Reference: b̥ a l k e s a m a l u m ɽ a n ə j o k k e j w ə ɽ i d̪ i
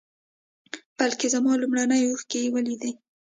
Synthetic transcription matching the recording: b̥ a l k e z a m ɑ l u m ɽ a n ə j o x k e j w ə l i d̪ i